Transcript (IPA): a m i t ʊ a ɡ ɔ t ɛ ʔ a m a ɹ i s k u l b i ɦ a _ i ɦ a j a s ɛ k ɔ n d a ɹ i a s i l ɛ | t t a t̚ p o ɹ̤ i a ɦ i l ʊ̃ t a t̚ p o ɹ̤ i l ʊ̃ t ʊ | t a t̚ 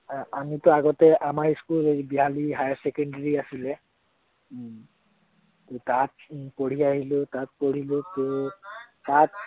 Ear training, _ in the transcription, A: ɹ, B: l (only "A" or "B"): B